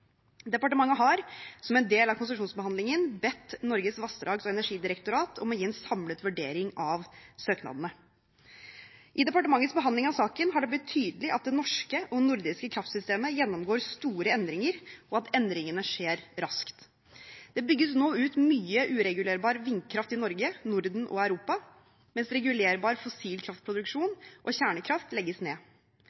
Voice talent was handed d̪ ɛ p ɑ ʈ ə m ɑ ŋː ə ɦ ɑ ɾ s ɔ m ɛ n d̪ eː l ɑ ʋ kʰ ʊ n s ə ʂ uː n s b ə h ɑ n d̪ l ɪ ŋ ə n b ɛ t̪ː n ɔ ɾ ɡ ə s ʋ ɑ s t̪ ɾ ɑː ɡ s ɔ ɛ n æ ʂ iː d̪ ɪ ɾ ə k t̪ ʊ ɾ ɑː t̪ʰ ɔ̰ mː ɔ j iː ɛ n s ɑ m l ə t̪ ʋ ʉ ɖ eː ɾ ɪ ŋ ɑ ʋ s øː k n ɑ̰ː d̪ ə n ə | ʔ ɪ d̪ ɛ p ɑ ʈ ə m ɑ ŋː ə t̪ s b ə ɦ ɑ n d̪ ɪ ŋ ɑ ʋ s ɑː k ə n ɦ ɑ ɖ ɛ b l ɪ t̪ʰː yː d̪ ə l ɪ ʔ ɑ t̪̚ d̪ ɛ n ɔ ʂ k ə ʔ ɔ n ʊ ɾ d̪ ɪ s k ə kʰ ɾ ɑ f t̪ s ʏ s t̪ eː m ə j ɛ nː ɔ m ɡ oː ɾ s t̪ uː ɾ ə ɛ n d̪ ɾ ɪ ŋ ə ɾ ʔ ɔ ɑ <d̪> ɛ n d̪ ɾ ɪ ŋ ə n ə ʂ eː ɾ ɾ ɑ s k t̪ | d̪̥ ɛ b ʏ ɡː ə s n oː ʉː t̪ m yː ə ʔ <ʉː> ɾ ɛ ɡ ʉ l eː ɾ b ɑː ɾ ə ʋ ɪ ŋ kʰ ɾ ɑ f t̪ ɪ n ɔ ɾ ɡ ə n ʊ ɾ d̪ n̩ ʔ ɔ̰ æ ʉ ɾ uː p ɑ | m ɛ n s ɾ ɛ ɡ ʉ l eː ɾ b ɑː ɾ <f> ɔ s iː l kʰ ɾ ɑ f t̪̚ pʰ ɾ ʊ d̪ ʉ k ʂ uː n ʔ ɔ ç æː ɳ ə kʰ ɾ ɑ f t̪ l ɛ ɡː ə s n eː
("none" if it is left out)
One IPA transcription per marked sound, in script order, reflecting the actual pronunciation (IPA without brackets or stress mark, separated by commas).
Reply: t̪, ʉː, f